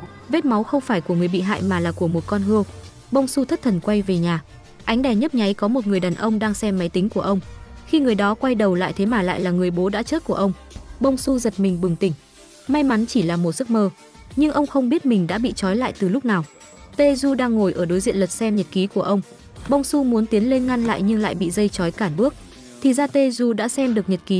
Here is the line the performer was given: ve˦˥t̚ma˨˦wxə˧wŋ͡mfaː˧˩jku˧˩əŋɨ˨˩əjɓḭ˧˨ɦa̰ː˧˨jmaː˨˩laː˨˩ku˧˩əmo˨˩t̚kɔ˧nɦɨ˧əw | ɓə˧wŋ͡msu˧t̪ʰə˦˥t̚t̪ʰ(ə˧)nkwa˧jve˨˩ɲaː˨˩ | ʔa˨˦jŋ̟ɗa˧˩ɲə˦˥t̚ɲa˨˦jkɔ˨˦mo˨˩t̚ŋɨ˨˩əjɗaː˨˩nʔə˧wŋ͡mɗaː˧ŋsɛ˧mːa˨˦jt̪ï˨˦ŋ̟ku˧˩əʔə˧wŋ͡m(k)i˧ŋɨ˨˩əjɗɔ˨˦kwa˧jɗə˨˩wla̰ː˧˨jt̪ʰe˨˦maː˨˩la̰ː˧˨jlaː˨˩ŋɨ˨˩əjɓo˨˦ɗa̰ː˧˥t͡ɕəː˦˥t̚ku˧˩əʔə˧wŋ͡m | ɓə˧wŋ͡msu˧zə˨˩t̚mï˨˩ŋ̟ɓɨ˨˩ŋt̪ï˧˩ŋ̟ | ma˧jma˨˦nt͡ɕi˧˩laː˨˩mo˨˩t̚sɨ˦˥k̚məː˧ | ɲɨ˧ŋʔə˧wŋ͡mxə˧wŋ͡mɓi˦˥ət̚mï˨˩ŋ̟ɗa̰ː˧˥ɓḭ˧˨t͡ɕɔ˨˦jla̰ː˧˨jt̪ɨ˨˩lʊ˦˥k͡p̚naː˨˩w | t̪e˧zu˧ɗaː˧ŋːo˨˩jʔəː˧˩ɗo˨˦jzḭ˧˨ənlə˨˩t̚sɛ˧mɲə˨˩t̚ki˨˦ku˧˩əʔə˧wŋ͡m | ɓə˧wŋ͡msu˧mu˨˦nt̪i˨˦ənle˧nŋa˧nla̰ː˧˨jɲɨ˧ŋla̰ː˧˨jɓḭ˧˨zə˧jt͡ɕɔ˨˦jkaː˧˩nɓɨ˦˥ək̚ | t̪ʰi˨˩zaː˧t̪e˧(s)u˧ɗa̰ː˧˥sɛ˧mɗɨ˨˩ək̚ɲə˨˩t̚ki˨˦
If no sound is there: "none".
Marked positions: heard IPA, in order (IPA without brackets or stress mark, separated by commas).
ə˨˩, x, z